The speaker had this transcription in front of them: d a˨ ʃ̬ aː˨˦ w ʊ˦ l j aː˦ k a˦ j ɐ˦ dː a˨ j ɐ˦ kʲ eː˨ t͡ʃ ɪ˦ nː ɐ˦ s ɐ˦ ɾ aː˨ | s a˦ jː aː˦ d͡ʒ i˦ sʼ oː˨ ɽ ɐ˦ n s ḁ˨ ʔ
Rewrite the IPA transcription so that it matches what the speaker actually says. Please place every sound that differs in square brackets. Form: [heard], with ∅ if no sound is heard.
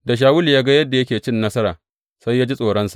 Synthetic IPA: d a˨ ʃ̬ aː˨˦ w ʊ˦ l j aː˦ [ɡ] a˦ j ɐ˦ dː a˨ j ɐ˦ kʲ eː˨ t͡ʃ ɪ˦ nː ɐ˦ s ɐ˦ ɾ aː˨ | s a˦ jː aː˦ d͡ʒ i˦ sʼ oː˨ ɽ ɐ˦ n s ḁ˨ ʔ